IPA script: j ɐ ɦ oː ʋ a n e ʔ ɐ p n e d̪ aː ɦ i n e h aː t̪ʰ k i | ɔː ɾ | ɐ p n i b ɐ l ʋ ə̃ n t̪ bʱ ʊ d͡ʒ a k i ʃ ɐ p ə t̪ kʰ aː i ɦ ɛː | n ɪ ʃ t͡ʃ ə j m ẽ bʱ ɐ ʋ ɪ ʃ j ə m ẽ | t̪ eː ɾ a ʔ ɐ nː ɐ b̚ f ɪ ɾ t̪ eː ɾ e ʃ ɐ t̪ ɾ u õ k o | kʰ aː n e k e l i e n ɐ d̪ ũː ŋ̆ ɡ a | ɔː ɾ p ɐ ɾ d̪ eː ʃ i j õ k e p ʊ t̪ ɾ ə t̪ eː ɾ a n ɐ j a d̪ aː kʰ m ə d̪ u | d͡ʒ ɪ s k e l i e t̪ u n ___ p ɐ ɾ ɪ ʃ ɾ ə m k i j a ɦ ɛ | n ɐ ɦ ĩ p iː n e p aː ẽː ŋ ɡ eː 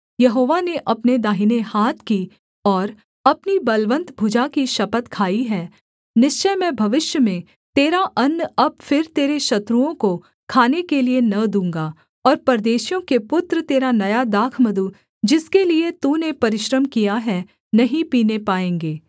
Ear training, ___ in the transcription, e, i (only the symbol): e